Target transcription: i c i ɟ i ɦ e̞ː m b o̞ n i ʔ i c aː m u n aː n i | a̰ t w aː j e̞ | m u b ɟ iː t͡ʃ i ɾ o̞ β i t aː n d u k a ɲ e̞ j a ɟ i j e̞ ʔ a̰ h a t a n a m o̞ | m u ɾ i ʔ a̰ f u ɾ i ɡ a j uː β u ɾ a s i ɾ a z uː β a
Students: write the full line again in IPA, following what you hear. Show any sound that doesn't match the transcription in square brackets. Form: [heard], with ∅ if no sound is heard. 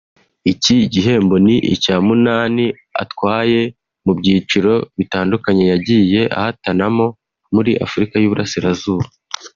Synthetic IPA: i c i ɟ i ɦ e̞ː m b o̞ n i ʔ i c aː m u n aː n i | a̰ t w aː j e̞ | m u b ɟ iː t͡ʃ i ɾ o̞ β i t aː n d u k a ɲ e̞ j a ɟ i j e̞ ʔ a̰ h a t a n a m o̞ | m u ɾ i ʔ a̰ f u ɾ i [k] a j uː β u ɾ a s i ɾ a z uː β a